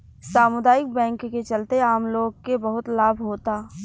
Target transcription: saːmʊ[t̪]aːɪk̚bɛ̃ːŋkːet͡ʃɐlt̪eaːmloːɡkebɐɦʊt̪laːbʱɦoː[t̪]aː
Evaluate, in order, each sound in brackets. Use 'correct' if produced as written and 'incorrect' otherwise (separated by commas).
incorrect, correct